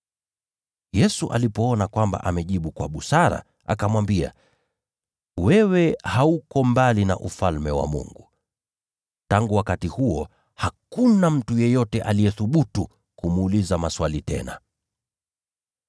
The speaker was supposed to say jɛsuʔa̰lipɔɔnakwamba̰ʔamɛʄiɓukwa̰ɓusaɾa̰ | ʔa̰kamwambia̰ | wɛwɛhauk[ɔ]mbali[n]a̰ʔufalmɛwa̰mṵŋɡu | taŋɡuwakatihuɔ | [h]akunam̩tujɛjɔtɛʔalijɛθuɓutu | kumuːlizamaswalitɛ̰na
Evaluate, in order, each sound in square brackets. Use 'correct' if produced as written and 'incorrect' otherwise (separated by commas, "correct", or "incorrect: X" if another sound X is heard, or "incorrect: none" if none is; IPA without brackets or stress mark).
correct, correct, correct